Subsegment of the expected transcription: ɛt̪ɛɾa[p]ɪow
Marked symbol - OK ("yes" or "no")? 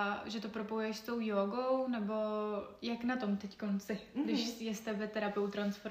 yes